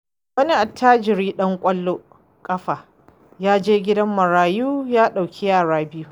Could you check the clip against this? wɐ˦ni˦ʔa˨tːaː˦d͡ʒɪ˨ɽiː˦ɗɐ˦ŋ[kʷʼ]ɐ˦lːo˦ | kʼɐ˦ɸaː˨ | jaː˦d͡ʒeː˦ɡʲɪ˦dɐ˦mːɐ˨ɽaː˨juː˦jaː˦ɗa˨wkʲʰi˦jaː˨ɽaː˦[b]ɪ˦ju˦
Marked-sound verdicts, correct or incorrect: correct, correct

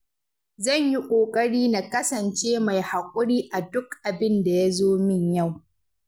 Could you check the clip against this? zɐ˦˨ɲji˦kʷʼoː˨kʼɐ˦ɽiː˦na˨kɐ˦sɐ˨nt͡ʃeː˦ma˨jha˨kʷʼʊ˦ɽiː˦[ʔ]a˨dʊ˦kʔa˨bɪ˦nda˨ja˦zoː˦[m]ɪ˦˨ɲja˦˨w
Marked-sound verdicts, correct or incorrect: correct, correct

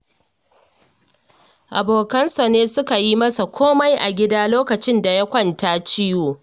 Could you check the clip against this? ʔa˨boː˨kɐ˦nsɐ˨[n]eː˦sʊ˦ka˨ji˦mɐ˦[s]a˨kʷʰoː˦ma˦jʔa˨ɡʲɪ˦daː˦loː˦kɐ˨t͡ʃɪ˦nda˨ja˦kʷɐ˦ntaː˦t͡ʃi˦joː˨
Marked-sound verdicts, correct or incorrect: correct, correct

